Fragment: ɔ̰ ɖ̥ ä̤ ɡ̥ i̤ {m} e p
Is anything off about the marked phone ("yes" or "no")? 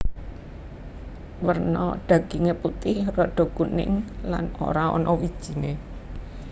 yes